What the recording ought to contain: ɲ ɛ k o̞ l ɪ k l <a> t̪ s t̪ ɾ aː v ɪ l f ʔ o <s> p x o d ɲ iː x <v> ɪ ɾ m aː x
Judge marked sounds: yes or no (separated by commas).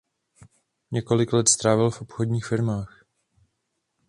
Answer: no, no, no